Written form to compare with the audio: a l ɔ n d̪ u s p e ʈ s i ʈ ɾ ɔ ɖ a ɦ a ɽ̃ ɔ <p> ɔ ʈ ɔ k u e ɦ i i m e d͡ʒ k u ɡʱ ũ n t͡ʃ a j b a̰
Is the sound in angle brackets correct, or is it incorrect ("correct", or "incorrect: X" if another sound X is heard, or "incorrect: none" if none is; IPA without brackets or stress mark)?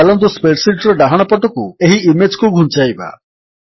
correct